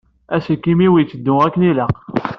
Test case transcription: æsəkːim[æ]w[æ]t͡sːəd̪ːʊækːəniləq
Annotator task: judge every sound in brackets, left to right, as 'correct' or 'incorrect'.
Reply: incorrect: i, incorrect: i

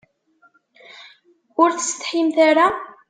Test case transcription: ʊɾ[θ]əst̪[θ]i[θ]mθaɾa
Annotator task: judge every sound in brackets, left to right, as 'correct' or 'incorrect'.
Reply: correct, incorrect: ħ, incorrect: none

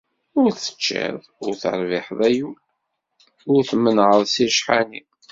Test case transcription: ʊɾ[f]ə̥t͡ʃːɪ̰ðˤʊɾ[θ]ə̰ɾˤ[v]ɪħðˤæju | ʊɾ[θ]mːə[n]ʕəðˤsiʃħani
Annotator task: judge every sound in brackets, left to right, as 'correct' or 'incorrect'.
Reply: incorrect: θ, correct, correct, correct, correct

